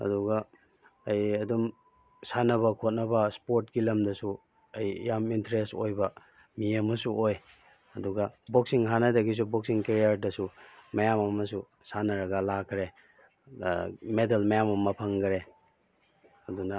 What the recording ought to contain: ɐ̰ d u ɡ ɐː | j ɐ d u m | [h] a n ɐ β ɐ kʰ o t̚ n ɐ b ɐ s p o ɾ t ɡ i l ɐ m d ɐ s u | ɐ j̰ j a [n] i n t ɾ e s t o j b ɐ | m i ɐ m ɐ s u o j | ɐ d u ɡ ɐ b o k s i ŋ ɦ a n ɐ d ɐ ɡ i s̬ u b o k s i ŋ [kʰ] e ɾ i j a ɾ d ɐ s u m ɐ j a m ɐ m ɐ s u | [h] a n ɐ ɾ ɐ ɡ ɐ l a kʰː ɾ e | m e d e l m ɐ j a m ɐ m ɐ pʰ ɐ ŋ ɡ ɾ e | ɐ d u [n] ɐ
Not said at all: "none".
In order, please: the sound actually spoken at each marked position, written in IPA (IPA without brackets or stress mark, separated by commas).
s, m, k, s, n